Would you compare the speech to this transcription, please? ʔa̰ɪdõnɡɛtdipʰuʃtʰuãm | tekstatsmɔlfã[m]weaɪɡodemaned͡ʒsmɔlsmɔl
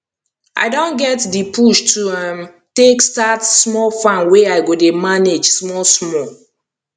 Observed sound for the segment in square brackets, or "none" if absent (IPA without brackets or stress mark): n